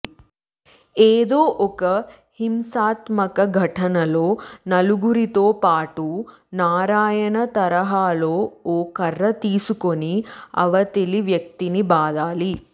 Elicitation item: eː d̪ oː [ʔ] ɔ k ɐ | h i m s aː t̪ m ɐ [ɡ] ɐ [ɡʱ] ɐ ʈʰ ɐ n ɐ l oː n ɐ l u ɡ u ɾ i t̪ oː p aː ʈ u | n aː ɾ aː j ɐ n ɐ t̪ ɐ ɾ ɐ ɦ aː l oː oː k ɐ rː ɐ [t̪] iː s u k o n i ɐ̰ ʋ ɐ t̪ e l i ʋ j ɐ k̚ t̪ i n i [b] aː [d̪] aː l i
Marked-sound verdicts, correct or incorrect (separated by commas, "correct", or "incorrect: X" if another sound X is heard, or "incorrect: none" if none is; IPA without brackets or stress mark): correct, incorrect: k, correct, correct, correct, correct